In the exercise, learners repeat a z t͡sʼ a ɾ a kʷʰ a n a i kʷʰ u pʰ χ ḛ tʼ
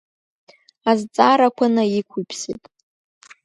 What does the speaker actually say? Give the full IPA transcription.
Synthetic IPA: a z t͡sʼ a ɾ a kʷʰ a n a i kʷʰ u pʰ s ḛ tʼ